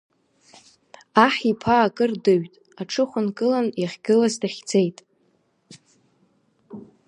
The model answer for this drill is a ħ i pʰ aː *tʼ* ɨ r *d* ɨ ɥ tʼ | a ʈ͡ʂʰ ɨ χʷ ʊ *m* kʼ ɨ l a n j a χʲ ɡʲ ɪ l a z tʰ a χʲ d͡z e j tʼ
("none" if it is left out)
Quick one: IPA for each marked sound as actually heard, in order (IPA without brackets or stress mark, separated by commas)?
kʼ, d, n